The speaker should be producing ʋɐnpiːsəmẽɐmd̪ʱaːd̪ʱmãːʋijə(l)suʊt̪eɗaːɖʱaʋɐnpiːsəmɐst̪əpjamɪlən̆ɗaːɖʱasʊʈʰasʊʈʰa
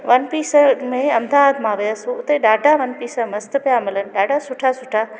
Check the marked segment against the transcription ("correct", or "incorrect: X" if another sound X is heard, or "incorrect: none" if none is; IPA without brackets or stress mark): incorrect: none